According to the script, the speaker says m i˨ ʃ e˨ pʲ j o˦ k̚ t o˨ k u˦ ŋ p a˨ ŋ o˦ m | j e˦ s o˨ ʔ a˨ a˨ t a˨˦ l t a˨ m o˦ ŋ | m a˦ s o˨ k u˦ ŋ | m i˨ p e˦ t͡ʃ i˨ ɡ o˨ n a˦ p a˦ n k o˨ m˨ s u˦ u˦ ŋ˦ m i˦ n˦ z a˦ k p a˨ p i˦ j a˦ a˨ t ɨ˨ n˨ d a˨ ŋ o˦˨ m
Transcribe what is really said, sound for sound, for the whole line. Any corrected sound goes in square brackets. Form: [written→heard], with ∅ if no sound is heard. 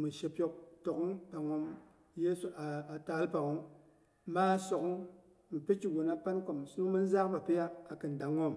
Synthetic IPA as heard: m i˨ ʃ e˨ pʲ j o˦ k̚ t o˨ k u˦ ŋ p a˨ ŋ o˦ m | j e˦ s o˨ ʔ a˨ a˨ t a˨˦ l [t→p] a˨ [m→ŋ] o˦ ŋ | m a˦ s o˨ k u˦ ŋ | m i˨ p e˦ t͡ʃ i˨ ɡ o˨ n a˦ p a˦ n k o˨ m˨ s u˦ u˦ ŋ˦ m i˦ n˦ z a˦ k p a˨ p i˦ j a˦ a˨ [t→k] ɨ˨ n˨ d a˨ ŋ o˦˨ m